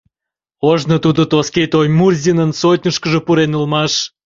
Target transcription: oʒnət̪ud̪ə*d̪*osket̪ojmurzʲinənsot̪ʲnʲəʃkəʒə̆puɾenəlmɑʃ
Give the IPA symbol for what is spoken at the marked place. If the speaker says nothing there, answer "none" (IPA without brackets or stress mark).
t̪